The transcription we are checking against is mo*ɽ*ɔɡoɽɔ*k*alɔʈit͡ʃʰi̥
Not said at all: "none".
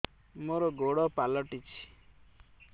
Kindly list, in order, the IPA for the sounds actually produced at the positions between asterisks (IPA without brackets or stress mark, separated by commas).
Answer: ɾ, p